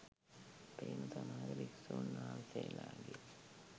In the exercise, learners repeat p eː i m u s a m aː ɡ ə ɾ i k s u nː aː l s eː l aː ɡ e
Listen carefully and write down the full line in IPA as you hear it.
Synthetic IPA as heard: p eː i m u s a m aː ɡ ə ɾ i k s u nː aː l s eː l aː ɡ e